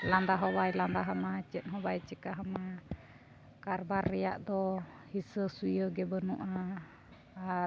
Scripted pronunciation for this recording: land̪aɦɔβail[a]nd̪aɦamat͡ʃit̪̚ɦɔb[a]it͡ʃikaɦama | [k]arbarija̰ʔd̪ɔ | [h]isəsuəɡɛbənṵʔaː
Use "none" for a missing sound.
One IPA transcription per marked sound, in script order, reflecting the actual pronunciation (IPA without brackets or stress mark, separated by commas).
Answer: a, a, k, h